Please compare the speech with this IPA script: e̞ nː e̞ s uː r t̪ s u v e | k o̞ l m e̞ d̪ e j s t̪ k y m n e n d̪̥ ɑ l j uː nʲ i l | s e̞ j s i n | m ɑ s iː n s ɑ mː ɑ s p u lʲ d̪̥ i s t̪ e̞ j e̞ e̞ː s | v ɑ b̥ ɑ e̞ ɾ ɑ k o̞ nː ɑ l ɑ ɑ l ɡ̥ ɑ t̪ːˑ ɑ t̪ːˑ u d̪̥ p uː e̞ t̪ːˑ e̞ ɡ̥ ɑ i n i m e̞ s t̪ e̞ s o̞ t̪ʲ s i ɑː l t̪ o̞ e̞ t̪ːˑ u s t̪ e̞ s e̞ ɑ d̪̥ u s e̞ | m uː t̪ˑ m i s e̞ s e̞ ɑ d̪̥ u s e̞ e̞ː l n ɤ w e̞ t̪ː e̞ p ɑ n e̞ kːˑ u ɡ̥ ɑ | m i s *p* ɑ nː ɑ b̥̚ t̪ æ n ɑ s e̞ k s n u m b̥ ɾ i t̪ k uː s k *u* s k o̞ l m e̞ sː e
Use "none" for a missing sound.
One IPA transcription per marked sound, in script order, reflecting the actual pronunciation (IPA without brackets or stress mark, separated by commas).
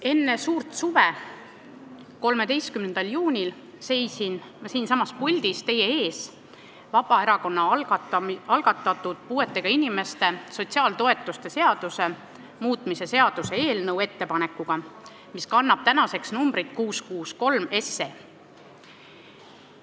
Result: k, uː